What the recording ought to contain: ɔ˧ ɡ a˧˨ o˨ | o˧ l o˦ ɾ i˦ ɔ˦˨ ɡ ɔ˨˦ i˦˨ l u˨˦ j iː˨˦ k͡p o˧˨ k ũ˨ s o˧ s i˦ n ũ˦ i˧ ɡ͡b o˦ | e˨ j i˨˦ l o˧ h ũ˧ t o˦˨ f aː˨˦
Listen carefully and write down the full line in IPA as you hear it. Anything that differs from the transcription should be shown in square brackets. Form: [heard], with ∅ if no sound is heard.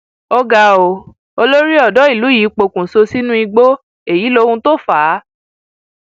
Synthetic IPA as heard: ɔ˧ ɡ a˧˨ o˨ | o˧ l o˦ ɾ i˦ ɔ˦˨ [d] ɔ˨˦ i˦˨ l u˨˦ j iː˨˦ k͡p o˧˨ k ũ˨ s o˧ s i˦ n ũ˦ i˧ ɡ͡b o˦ | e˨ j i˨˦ l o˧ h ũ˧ t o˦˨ f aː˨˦